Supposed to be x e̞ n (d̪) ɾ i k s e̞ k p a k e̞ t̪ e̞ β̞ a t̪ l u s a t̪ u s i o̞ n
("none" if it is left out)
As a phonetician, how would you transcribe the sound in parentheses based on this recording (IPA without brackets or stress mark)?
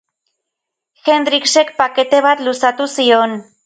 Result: d̪